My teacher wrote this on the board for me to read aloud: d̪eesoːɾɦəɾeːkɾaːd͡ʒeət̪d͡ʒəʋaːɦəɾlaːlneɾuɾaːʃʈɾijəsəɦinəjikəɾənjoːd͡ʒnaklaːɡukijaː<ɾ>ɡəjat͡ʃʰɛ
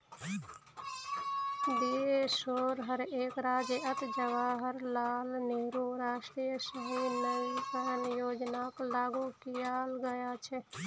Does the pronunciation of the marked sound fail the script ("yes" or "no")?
yes